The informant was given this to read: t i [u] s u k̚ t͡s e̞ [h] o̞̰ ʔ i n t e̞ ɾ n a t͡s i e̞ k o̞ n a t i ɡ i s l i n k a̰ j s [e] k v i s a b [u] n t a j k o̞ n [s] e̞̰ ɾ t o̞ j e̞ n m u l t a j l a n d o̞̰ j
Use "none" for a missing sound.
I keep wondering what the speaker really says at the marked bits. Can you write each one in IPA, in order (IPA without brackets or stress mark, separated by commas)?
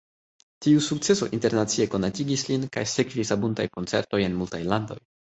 u, s, e, u, t͡s